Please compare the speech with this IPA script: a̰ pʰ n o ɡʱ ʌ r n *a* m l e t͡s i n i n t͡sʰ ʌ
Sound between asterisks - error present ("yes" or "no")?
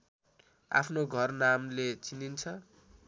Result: no